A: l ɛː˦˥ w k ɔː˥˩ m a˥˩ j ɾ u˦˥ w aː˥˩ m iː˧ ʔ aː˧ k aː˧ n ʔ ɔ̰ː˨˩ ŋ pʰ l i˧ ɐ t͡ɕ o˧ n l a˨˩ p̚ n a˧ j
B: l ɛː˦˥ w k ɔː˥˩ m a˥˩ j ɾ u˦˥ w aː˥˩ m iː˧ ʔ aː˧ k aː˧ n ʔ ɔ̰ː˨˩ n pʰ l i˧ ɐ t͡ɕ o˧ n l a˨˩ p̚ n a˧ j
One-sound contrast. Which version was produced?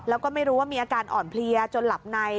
B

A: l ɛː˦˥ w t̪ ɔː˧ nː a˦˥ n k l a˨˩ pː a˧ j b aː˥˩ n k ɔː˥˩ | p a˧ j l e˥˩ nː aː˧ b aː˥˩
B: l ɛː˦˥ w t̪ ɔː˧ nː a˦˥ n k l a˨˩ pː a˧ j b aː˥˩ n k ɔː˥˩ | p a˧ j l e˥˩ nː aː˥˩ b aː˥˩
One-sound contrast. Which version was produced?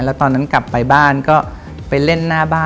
B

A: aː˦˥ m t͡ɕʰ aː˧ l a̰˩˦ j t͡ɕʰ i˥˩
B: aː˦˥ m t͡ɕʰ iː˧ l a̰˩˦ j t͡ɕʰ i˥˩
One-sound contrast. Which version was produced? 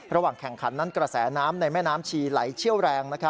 B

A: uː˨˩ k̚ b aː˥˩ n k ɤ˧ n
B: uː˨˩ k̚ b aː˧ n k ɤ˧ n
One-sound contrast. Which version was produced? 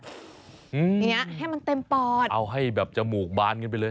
B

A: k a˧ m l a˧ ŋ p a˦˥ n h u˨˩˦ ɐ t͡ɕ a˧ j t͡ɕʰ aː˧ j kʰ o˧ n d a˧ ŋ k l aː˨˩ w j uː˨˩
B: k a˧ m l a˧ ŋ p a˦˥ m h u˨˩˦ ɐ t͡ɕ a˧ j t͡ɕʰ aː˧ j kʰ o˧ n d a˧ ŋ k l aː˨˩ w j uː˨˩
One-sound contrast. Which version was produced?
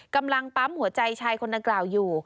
B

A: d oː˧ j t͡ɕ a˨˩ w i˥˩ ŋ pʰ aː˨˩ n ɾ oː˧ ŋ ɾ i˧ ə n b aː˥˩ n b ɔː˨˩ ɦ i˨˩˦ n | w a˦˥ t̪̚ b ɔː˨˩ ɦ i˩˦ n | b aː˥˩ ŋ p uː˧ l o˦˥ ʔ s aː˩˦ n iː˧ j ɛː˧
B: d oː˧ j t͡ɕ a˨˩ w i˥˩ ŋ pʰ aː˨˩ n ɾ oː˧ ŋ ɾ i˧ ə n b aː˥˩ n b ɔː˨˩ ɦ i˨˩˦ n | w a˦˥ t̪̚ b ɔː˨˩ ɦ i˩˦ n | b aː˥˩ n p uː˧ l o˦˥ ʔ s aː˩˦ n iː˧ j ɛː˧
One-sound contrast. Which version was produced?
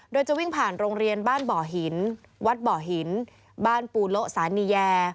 B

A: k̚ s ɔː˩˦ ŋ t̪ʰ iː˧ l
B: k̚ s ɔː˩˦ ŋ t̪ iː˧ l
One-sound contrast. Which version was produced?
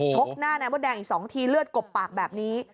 A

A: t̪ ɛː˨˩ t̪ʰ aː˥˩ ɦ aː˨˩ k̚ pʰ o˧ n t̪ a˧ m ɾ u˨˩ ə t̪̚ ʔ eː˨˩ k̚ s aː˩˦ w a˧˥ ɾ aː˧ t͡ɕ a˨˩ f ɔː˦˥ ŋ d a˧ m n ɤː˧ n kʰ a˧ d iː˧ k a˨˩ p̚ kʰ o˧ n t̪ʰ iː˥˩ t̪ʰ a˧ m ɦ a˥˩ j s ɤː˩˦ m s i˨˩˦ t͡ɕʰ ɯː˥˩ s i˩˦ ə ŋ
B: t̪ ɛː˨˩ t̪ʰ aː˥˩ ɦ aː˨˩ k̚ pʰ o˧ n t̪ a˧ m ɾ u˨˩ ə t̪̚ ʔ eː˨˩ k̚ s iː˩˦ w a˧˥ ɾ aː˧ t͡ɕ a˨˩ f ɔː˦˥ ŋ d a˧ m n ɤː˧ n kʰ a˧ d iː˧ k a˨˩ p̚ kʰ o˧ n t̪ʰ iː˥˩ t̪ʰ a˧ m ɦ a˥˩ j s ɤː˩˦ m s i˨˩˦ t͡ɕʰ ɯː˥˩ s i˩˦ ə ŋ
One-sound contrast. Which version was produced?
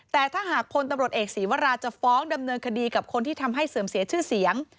B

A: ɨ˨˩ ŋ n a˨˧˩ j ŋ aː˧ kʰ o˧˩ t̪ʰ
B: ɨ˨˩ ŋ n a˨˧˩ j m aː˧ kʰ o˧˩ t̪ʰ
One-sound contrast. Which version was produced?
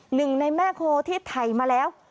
B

